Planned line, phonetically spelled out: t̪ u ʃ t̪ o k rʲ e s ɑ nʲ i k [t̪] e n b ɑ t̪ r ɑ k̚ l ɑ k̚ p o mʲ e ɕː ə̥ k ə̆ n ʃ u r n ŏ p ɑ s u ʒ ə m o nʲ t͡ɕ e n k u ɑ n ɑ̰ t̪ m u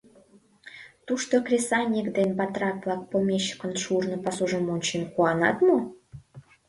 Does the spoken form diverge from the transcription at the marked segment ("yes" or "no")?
yes